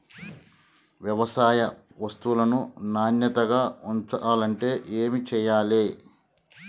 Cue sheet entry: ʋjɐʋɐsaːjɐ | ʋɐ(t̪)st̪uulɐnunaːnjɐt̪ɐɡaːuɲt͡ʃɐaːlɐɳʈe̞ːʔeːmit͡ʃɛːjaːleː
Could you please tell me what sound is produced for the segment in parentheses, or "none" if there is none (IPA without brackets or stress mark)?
none